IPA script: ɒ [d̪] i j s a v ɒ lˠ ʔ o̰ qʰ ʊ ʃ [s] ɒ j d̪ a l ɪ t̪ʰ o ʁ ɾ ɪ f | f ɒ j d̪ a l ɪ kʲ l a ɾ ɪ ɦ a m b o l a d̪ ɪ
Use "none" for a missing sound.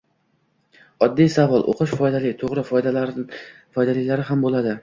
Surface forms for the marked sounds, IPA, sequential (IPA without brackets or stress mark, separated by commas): d̪ː, f